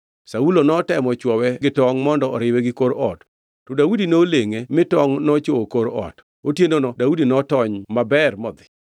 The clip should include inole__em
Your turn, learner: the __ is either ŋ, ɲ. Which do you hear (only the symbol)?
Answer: ŋ